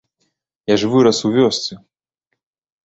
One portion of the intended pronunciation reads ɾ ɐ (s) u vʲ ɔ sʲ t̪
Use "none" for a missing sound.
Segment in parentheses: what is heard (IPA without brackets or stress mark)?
s